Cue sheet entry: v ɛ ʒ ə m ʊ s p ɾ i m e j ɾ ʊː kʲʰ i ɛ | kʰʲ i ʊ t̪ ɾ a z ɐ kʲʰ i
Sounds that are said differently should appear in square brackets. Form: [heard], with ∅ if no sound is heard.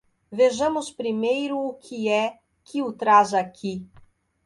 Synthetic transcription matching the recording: v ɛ ʒ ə m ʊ s p ɾ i m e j ɾ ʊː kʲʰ i ɛ | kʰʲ i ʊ t̪ ɾ a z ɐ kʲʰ i